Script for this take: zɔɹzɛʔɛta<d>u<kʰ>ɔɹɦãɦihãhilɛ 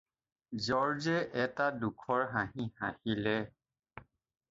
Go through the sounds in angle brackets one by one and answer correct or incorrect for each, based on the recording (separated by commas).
correct, correct